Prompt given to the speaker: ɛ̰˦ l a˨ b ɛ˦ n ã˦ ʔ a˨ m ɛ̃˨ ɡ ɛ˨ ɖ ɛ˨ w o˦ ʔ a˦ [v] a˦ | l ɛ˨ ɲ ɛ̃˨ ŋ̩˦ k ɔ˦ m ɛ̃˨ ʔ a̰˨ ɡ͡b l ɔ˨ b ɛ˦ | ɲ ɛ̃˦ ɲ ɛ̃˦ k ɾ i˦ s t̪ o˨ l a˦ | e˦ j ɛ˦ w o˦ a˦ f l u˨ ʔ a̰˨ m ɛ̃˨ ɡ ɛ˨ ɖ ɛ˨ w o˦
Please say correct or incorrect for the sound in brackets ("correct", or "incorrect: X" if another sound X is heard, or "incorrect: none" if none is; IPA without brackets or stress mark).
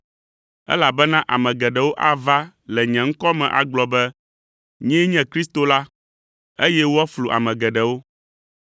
correct